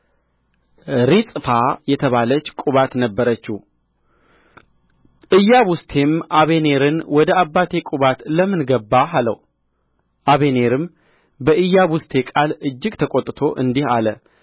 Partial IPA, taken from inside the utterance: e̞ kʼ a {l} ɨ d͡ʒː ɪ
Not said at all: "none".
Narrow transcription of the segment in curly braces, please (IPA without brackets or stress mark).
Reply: l